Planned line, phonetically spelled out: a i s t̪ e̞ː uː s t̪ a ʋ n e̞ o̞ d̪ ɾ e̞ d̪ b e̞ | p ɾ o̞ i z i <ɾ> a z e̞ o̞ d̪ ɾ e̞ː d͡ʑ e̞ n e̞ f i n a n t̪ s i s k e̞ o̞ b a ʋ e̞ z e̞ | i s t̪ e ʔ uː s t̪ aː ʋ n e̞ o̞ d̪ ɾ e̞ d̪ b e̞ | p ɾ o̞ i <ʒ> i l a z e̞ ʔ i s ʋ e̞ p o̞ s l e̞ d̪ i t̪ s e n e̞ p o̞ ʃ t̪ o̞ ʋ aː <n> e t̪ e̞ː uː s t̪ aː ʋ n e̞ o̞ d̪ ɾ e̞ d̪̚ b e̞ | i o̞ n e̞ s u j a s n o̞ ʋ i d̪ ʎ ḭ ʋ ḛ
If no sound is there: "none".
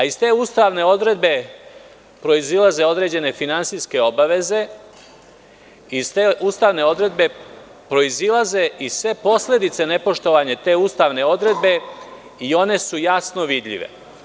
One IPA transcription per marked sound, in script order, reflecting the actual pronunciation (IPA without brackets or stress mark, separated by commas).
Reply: l, z, ɲ